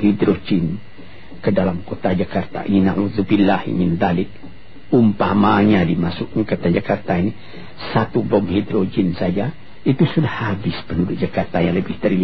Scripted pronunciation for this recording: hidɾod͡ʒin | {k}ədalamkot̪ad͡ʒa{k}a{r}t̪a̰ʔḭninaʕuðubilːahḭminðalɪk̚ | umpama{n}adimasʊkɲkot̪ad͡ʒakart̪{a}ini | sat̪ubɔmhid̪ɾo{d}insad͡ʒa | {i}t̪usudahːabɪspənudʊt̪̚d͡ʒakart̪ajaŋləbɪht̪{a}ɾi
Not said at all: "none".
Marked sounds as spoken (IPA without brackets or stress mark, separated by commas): k, k, r, ɲ, a, d͡ʒ, i, ə